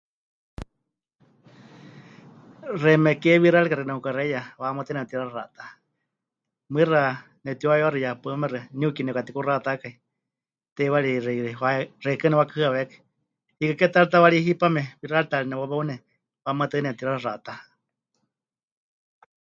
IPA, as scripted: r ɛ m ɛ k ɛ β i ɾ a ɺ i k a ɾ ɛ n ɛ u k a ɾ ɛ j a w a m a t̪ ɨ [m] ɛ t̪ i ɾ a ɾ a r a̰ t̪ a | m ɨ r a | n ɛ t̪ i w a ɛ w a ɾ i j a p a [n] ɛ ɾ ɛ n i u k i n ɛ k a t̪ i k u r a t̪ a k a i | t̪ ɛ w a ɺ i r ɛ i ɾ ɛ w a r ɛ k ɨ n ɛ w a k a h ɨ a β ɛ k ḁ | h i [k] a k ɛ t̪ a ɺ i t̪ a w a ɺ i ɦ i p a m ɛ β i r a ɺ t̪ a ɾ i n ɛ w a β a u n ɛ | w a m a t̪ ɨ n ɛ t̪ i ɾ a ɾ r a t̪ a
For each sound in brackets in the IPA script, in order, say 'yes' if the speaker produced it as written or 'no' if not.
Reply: no, no, yes

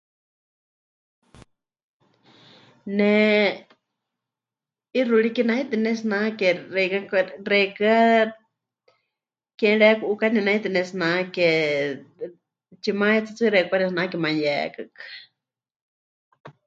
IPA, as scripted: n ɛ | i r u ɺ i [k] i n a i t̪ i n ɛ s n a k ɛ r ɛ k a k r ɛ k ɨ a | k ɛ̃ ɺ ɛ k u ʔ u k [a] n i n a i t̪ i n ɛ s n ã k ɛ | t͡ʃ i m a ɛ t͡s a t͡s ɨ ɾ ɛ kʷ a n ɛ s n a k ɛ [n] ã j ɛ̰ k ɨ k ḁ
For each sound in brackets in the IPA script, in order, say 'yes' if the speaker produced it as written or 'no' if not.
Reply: yes, yes, no

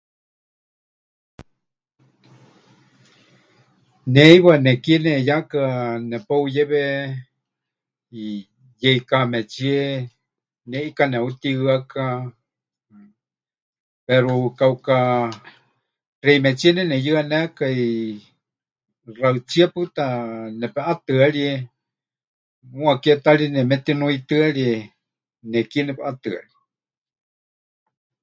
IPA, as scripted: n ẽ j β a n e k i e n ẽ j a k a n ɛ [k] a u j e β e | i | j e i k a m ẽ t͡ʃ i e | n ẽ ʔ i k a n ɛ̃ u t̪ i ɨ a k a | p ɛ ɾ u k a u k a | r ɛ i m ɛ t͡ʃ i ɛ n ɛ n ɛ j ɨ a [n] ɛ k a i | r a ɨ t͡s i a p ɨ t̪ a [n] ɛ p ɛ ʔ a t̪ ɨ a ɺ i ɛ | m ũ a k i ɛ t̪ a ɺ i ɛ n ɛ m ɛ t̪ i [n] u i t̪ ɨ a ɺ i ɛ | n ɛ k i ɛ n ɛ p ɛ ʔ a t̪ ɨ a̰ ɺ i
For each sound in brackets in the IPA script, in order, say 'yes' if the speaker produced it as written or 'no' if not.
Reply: no, yes, yes, yes

